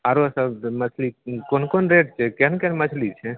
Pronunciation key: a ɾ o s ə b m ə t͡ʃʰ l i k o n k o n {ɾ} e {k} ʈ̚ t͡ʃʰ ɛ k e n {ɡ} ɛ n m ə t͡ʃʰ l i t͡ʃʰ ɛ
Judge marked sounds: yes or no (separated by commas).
yes, no, no